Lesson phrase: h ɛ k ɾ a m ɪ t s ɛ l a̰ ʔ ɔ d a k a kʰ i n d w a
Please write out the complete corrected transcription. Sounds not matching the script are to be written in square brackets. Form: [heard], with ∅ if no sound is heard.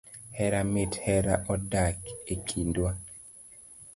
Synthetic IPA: h ɛ [∅] ɾ a m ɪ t [h] ɛ [ɾ] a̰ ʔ ɔ d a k [e] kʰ i n d w a